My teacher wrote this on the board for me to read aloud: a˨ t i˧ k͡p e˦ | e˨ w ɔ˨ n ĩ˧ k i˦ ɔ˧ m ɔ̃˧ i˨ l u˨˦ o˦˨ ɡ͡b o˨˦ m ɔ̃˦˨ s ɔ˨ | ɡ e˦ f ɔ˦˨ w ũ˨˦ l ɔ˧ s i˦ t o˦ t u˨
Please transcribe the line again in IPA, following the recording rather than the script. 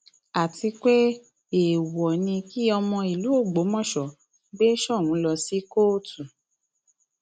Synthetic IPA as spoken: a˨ t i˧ k͡p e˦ | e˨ w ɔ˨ n ĩ˧ k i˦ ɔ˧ m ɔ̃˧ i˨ l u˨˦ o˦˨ ɡ͡b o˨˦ m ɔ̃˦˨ ʃ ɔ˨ | ɡ͡b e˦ ʃ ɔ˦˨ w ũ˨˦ l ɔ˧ s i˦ k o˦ t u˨